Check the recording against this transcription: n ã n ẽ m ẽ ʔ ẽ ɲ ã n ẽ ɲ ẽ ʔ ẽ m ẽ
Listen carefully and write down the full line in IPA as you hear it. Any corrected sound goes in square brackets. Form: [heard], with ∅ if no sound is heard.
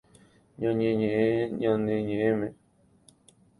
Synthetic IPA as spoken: [ɲ] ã [ɲ] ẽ [ɲ] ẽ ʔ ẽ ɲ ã n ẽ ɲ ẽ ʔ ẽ m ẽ